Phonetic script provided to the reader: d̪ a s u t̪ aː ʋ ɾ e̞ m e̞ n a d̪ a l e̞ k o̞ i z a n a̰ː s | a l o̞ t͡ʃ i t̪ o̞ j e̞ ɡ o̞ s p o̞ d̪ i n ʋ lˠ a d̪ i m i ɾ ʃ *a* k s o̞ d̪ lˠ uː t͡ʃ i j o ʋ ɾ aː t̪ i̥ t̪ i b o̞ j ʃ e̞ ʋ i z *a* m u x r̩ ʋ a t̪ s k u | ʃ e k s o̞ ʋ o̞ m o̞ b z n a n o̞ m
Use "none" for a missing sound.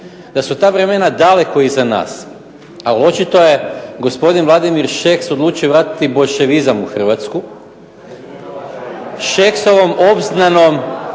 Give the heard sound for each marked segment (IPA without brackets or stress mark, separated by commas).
e, a